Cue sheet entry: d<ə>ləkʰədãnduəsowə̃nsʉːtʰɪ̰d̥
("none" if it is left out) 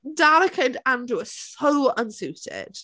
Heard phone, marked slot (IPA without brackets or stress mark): a